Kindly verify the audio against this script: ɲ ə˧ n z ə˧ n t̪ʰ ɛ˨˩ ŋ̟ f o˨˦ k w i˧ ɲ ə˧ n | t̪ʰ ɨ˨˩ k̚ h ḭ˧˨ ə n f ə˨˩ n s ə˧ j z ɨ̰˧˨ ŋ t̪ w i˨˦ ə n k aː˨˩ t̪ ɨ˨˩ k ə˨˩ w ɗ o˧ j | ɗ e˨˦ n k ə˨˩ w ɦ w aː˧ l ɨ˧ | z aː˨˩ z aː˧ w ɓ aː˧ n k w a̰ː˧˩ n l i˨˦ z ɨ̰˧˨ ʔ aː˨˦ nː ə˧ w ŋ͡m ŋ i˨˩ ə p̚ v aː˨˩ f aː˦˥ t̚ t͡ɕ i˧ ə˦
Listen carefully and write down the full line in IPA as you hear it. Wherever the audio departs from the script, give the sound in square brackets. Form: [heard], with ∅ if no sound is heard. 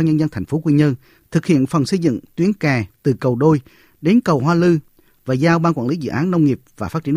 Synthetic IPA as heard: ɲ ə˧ n z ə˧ n t̪ʰ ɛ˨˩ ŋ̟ f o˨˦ k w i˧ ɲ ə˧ n | t̪ʰ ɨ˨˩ k̚ h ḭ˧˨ ə n f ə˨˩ n s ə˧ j z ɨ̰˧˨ ŋ t̪ w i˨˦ ə n k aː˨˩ t̪ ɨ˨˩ k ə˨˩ w ɗ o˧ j | ɗ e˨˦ n k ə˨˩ w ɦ w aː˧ l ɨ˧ | [v] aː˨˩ z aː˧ w ɓ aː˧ n k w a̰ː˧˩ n l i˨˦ z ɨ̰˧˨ ʔ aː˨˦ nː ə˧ w ŋ͡m ŋ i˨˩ ə p̚ v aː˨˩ f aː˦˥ t̚ t͡ɕ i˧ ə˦